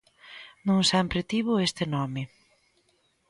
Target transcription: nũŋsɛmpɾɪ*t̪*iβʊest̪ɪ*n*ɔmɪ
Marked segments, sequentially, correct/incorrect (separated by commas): correct, correct